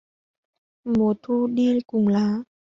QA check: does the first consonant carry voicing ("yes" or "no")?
yes